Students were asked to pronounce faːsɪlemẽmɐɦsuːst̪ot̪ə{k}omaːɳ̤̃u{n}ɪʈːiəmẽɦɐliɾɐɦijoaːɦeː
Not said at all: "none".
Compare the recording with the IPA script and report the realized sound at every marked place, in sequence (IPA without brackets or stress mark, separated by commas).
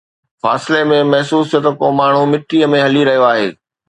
k, m